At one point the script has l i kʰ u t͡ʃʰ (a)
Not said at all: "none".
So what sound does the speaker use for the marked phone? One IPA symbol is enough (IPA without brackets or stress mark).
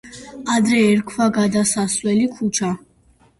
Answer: a